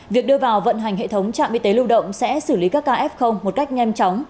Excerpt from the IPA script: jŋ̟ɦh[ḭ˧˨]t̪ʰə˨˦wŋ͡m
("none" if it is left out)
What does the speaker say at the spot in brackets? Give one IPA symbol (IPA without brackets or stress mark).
ḛ˧˨